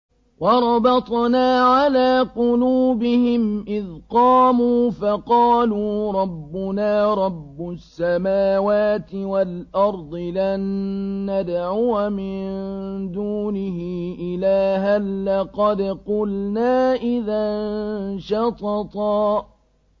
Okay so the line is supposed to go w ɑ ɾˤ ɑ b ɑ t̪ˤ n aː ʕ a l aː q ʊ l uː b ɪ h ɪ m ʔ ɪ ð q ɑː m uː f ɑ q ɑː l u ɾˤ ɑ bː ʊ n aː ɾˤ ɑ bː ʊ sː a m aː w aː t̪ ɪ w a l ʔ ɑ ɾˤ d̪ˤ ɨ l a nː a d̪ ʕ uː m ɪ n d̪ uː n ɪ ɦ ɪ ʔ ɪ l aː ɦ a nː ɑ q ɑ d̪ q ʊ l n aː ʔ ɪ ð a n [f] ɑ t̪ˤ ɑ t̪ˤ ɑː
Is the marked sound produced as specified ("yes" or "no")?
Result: no